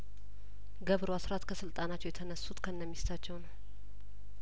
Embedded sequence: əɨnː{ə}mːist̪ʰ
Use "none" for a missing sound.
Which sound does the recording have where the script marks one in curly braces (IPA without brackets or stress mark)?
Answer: ə